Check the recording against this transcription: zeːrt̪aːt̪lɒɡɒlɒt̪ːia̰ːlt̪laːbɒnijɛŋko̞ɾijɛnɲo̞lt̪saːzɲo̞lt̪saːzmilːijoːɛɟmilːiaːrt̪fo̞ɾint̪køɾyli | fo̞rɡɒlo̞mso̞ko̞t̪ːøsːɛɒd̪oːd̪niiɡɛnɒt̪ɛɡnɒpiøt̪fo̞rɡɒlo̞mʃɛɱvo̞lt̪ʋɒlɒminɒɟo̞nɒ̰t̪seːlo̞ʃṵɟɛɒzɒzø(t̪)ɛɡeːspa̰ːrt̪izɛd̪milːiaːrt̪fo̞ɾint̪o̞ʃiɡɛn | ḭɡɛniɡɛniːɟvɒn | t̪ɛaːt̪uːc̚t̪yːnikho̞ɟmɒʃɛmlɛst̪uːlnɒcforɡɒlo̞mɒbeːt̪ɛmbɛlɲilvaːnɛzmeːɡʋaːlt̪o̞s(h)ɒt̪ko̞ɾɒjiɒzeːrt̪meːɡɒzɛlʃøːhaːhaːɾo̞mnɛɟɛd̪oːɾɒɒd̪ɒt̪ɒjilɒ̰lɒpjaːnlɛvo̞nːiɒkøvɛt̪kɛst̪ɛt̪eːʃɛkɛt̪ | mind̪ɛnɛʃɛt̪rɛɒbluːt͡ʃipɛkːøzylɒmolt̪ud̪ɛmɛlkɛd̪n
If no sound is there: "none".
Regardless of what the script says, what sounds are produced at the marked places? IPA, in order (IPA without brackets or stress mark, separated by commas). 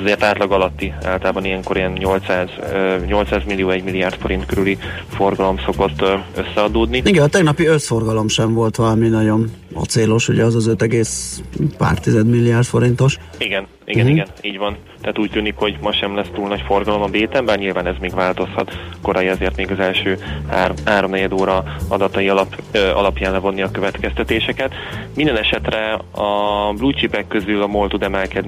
t̪, h